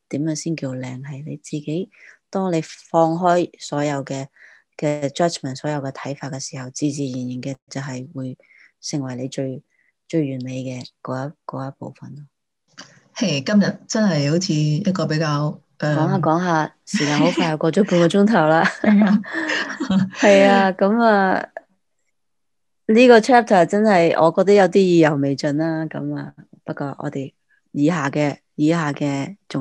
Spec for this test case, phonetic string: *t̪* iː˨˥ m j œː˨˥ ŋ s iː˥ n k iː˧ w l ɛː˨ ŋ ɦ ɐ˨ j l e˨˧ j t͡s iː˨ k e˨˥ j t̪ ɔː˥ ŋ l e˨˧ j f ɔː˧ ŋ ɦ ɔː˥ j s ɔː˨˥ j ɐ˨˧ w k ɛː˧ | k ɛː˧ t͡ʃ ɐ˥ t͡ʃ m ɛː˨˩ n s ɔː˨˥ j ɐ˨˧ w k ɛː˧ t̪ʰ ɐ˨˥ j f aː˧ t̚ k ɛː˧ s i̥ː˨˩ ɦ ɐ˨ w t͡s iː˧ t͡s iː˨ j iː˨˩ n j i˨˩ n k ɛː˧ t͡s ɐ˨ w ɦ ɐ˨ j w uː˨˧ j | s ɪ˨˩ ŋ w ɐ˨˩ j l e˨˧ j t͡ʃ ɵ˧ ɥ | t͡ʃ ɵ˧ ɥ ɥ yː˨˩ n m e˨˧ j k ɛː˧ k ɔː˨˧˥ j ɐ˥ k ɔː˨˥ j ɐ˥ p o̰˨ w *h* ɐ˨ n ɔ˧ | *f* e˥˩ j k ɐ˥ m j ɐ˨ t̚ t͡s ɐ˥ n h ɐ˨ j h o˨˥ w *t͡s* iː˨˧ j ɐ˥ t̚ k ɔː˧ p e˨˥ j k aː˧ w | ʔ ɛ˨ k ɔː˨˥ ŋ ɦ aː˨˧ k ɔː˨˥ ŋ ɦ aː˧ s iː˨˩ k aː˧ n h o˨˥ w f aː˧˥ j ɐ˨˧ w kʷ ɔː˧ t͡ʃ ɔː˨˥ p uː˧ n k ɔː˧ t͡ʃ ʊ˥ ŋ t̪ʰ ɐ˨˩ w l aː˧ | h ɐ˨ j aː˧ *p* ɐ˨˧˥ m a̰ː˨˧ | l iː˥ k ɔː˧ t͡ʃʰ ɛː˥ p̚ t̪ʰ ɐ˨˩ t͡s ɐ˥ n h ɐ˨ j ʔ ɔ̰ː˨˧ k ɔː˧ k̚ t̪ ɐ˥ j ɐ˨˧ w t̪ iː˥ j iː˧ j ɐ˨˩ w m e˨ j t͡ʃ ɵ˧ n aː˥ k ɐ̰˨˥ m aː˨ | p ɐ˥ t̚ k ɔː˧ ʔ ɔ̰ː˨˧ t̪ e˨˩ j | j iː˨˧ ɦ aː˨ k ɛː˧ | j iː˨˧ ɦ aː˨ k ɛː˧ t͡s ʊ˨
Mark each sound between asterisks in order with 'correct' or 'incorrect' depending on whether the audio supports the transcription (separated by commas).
correct, incorrect, incorrect, incorrect, incorrect